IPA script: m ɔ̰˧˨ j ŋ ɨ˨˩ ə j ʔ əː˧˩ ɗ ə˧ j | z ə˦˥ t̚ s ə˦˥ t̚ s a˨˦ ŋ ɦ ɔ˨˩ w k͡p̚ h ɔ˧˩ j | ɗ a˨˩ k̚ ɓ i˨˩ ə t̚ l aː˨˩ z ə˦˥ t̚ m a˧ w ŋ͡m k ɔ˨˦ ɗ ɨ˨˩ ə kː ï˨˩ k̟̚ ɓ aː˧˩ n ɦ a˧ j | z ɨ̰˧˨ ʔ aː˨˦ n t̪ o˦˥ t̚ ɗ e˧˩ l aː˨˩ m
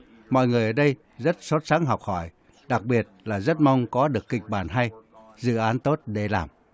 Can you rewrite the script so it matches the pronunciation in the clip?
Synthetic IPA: m ɔ̰˧˨ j ŋ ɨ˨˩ ə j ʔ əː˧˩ ɗ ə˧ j | z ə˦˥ t̚ s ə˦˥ t̚ s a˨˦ ŋ ɦ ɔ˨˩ w k͡p̚ h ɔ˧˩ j | ɗ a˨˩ k̚ ɓ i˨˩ ə t̚ l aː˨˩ z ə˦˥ t̚ m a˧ w ŋ͡m k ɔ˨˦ ɗ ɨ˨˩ ə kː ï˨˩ k̟̚ ɓ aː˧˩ n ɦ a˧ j | z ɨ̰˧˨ ʔ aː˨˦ n t̪ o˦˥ t̚ ɗ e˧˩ l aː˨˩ m